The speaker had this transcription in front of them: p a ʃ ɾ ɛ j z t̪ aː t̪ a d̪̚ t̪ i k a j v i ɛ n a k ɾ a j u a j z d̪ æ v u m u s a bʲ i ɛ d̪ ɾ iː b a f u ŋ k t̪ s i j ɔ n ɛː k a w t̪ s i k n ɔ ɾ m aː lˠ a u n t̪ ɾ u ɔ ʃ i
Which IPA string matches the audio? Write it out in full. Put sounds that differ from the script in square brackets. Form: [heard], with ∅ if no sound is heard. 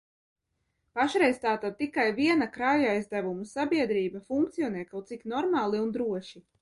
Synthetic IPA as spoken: p a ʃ ɾ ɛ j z t̪ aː t̪ a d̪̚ t̪ i k a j v i ɛ n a k ɾ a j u a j z d̪ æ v u m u s a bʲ i ɛ d̪ ɾ iː b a f u ŋ k t̪ s i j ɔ n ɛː k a w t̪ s i k n ɔ ɾ m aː lˠ [i] u n [d̪] ɾ u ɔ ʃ i

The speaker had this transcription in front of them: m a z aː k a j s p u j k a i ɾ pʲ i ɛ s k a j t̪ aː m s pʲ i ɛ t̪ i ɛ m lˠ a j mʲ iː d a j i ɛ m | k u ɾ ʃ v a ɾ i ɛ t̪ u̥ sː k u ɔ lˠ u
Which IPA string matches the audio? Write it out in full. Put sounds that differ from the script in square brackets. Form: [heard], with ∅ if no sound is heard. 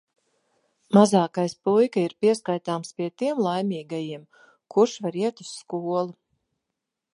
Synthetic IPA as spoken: m a z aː k a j s p u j k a i ɾ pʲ i ɛ s k a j t̪ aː m s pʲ i ɛ t̪ i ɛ m lˠ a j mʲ iː [ɡ] a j i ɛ m | k u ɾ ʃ v a ɾ i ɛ t̪ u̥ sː k u ɔ lˠ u

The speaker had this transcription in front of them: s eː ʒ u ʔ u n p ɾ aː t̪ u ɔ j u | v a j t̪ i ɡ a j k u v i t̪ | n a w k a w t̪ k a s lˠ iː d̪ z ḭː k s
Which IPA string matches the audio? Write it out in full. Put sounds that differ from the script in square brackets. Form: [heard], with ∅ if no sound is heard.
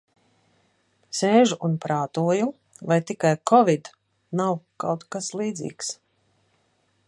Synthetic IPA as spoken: s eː ʒ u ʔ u n p ɾ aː t̪ u ɔ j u | v a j t̪ i [k] a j k [ɔ] v i [d̪] | n a w k a w t̪ k a s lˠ iː d̪ z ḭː k s

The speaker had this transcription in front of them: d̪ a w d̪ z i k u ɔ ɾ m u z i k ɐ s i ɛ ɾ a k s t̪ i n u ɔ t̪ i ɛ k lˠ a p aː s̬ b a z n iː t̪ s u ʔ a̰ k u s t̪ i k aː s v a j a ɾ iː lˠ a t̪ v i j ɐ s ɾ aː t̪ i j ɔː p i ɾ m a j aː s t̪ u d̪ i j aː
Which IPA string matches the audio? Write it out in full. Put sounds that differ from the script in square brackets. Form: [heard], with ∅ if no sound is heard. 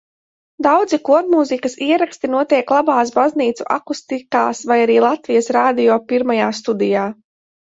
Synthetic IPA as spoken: d̪ a w d̪ z i k u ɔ ɾ m u z i k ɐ s i ɛ ɾ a k s t̪ i n u ɔ t̪ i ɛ k lˠ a [b] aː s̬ b a z n iː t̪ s u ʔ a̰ k u s t̪ i k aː s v a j a ɾ iː lˠ a t̪ v i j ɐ s ɾ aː [d̪] i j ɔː p i ɾ m a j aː s t̪ u d̪ i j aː

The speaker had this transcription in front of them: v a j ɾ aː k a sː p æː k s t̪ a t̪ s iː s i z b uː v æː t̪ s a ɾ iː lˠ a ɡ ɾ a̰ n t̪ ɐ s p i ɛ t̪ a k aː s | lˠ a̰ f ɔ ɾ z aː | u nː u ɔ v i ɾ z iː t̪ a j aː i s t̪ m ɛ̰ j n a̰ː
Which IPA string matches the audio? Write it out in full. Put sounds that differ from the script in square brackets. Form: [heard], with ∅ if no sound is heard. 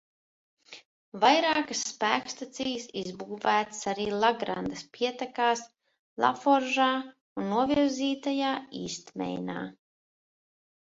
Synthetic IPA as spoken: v a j ɾ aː k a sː p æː k s t̪ a t̪ s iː s i z b uː v æː t̪ s a ɾ iː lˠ a ɡ ɾ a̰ n [d̪] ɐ s p i ɛ t̪ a k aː s | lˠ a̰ f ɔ ɾ [ʒ] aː | u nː u ɔ v i ɾ z iː t̪ a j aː [iː] s t̪ m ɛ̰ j n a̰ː

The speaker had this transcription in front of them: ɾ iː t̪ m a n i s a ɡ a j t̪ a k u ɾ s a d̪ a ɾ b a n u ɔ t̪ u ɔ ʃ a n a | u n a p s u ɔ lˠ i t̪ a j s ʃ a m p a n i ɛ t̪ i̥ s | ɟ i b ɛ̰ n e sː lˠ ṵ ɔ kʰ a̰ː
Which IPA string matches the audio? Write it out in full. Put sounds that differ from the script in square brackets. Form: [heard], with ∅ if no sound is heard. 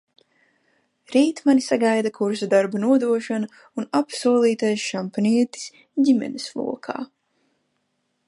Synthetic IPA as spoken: ɾ iː t̪ m a n i s a ɡ a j [d̪] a k u ɾ s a d̪ a ɾ b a n u ɔ [d̪] u ɔ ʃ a n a | u n a p s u ɔ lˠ [iː] t̪ a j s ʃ a m p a n i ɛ t̪ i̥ s | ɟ i [m] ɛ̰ n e [s] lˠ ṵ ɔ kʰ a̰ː

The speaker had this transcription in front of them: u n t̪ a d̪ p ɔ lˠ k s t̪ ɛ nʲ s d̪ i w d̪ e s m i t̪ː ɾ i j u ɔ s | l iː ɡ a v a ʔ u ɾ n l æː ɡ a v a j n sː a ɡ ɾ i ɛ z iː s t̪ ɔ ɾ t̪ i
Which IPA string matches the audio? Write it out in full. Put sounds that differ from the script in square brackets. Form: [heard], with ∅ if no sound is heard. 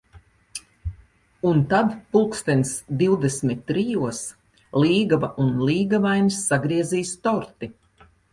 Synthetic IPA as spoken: u n t̪ a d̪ p [u] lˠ k s t̪ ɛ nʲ s d̪ i w d̪ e s m i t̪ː ɾ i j u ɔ s | l iː ɡ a v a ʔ u [∅] n l [iː] ɡ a v a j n sː a ɡ ɾ i ɛ z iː s t̪ ɔ ɾ t̪ i

